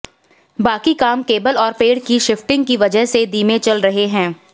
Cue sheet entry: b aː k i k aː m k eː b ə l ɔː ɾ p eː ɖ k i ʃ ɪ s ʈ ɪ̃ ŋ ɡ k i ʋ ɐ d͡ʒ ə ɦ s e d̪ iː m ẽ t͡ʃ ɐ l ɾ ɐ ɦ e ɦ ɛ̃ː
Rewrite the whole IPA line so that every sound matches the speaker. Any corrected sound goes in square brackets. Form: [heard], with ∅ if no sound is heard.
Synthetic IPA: b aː k i k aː m k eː b ə l ɔː ɾ p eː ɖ k i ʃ ɪ [f] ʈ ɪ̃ ŋ ɡ k i ʋ ɐ d͡ʒ ə ɦ s e d̪ iː m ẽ t͡ʃ ɐ l ɾ ɐ ɦ e ɦ ɛ̃ː